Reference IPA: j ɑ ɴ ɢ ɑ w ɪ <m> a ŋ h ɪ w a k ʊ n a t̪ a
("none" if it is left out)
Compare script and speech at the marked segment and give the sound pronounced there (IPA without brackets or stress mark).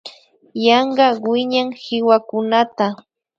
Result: ɲ